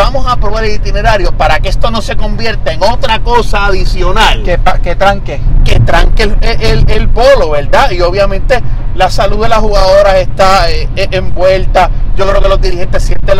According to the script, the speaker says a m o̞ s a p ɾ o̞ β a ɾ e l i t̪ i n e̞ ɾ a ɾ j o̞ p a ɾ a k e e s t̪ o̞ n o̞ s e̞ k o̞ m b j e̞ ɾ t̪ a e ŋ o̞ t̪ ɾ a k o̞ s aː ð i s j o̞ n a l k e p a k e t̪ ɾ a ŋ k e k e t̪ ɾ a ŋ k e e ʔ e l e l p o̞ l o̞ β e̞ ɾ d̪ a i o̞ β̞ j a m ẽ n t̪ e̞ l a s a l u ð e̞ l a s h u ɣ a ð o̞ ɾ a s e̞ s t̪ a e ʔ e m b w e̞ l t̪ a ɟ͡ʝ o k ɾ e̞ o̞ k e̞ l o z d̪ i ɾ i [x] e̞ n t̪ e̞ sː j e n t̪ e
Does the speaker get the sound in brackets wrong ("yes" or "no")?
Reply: yes